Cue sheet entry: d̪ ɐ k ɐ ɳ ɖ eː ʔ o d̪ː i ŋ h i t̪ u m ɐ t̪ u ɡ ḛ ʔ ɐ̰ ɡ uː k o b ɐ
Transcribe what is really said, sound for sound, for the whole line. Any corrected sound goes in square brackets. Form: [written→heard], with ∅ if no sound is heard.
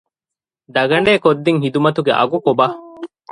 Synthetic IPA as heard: d̪ ɐ [k→ɡ] ɐ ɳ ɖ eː [ʔ→k] o d̪ː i ŋ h i [t̪→d̪] u m ɐ t̪ u ɡ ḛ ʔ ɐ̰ ɡ [uː→u] k o b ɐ